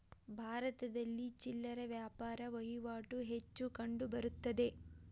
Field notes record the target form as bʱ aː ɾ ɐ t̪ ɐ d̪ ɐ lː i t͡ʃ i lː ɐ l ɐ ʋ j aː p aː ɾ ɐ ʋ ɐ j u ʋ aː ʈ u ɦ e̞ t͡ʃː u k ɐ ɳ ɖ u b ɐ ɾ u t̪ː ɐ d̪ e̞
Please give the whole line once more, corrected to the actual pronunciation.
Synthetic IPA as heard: bʱ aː ɾ ɐ t̪ ɐ d̪ ɐ lː i t͡ʃ i lː ɐ ɾ ɐ ʋ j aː p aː ɾ ɐ ʋ ɐ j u ʋ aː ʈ u ɦ e̞ t͡ʃː u k ɐ ɳ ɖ u b ɐ ɾ u t̪ː ɐ d̪ e̞